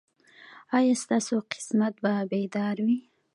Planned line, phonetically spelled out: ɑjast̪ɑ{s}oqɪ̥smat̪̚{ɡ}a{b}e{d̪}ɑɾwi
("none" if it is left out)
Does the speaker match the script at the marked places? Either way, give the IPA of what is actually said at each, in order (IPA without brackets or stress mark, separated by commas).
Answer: s, b, b, d̪